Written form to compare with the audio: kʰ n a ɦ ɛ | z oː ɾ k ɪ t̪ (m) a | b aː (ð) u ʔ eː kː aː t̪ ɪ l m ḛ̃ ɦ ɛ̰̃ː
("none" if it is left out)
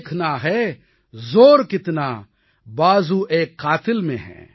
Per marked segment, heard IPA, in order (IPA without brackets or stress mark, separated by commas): n, z